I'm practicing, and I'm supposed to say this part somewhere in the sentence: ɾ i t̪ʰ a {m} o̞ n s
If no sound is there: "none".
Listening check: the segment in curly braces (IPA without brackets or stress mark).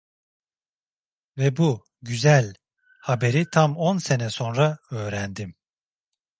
m